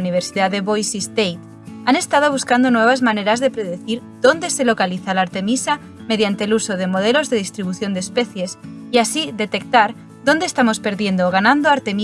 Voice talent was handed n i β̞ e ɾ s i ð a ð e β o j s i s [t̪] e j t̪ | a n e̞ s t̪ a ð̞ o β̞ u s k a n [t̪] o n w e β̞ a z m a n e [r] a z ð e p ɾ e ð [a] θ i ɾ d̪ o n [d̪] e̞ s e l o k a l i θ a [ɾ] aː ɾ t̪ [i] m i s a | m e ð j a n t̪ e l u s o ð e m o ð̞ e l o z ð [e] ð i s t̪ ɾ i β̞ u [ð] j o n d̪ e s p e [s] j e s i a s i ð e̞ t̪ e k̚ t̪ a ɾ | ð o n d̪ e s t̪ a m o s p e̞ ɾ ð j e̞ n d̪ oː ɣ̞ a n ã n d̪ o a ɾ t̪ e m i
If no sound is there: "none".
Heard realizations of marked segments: t̪, d̪, ɾ, e, d̪, l, e, e, θ, θ

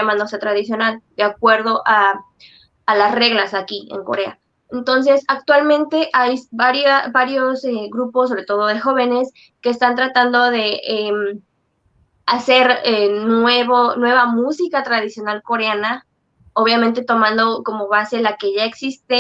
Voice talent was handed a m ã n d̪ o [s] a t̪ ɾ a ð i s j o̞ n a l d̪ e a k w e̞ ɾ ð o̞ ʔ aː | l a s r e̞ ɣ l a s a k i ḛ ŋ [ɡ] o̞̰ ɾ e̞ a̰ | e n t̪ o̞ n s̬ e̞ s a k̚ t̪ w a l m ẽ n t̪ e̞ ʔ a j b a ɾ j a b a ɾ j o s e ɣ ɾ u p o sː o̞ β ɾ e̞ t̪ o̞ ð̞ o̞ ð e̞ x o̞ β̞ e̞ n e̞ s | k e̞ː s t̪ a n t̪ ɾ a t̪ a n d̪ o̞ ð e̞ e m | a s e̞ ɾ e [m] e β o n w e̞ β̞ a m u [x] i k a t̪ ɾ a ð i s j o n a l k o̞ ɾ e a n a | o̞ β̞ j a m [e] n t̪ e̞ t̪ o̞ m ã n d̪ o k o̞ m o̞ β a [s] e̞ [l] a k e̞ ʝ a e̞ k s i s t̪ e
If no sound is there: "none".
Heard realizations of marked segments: s, k, n, s, ẽ, s, l

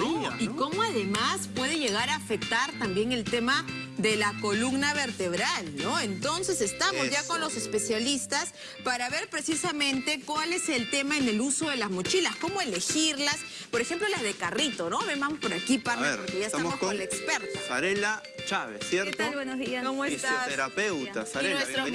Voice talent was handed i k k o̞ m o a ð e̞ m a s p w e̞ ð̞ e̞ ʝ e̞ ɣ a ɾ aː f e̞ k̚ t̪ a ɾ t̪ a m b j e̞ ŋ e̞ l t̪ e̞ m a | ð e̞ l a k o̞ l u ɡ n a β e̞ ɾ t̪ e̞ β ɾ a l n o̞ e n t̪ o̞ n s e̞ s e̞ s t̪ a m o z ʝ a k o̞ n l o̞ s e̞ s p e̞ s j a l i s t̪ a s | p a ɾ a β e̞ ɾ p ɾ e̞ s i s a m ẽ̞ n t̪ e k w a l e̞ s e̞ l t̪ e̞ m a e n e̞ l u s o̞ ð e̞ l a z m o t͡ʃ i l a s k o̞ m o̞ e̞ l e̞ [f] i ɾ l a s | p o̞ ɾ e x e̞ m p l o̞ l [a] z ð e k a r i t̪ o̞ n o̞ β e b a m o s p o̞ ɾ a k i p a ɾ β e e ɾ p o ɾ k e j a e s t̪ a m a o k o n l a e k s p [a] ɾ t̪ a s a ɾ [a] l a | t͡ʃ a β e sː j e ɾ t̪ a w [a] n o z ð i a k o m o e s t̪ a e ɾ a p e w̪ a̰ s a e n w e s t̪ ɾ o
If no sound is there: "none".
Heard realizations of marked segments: x, a, e, e, e

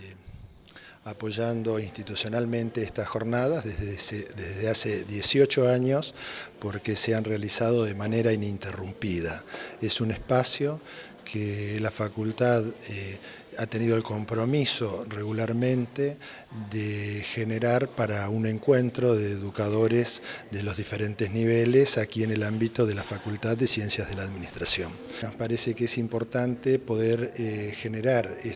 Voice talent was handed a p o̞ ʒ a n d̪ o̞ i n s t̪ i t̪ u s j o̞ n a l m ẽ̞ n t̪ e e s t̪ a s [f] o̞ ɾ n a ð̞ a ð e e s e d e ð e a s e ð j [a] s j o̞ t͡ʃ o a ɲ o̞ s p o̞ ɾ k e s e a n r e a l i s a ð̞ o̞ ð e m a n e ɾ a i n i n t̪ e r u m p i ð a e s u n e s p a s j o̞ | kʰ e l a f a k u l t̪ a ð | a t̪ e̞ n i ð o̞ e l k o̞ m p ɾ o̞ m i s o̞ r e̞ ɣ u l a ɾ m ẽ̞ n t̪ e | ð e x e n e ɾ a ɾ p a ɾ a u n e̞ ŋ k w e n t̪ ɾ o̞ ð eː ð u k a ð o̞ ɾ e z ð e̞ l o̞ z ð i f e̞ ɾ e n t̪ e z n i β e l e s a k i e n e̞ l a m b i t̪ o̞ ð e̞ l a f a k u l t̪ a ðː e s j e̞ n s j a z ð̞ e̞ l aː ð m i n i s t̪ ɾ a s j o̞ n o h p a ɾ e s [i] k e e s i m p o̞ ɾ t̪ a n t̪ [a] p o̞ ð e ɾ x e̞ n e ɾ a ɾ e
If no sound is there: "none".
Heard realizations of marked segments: x, e, e, e

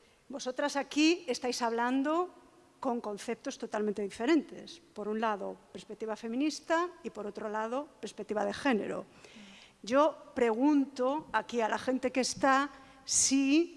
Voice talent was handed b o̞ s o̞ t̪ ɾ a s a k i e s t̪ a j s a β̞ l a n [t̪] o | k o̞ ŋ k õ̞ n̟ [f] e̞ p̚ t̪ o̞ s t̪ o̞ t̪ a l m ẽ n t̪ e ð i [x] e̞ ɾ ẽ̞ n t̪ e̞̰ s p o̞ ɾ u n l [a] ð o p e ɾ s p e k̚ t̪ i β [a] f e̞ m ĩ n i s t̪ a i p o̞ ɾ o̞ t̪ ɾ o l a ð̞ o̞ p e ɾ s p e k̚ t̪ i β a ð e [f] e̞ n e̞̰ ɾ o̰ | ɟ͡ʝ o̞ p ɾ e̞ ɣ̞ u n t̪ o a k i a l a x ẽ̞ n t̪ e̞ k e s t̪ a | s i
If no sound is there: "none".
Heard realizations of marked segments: d̪, θ, f, a, a, x

